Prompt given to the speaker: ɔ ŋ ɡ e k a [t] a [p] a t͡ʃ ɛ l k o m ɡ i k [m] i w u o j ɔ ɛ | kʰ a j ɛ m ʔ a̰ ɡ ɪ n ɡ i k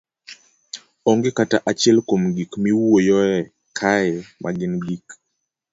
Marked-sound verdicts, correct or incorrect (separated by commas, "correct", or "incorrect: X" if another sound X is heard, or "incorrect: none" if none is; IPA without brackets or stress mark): correct, incorrect: ʔ, correct